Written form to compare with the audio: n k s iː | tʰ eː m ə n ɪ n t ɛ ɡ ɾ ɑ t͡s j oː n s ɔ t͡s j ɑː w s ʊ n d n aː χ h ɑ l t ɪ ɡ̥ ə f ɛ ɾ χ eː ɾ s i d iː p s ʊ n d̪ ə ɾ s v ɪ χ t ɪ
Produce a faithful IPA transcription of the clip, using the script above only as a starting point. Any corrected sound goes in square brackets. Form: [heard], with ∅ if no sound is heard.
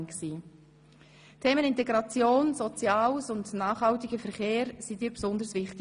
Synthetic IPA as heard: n k s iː | tʰ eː m ə n ɪ n t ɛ ɡ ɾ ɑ t͡s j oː n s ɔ t͡s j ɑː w s ʊ n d n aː χ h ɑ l t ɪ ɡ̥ ə f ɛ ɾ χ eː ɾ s i d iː p s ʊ n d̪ ə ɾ s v ɪ χ t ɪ